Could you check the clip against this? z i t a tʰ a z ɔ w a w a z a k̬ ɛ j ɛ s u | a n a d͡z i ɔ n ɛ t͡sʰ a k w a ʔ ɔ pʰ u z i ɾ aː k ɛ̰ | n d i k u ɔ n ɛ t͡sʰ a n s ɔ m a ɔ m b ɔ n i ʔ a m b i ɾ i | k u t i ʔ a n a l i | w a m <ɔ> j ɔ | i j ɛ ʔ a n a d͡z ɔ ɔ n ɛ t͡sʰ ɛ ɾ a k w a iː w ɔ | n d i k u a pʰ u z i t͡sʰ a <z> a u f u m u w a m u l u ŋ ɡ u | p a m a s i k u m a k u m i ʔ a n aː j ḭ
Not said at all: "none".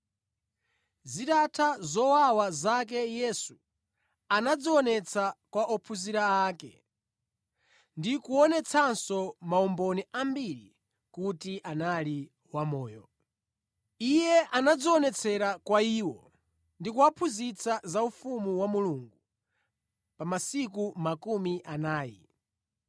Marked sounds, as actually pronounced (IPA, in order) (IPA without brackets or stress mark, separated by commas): ɔː, z